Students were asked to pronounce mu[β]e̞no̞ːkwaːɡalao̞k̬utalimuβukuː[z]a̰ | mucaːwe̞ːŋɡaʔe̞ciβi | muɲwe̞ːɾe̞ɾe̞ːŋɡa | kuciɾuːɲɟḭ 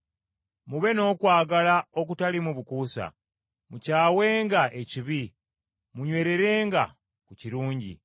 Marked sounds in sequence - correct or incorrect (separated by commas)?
correct, incorrect